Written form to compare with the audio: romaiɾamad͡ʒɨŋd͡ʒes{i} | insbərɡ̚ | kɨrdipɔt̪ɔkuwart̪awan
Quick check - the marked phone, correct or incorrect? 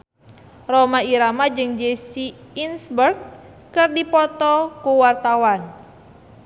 correct